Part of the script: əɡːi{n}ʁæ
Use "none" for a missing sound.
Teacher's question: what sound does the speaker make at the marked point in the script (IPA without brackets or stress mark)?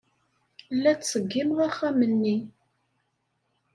m